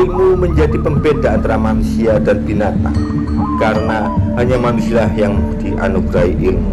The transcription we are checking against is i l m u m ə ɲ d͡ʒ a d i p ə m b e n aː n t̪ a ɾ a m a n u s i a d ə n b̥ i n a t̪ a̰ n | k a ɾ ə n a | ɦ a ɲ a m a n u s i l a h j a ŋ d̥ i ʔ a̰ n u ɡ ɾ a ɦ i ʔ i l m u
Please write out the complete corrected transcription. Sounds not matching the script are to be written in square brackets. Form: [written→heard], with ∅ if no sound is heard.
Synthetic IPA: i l m u m ə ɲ d͡ʒ a d i p ə m b e [n→d] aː n t̪ a ɾ a m a n u s i a d [ə→a] n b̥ i n a t̪ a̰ [n→ŋ] | k a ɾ ə n a | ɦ a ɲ a m a n u s i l a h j a ŋ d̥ i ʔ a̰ n u ɡ ɾ a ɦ i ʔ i l m u